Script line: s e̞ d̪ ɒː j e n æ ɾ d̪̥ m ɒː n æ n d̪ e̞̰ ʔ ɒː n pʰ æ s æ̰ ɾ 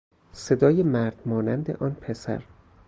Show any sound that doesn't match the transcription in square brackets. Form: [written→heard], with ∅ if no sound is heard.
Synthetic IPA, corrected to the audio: s e̞ d̪ ɒː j e [n→m] æ ɾ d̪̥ m ɒː n æ n d̪ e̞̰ ʔ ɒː n pʰ [æ→e] s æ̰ ɾ